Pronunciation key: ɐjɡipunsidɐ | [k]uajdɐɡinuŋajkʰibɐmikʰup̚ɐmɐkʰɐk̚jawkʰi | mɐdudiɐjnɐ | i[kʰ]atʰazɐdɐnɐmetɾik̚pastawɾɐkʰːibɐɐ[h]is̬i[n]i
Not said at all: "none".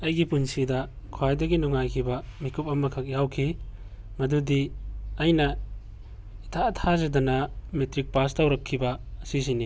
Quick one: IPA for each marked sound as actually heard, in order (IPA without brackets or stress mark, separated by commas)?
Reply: kʰ, tʰ, s, n